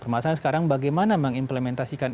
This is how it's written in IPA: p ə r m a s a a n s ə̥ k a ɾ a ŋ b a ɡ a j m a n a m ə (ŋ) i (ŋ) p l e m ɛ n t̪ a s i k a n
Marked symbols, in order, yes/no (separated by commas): yes, no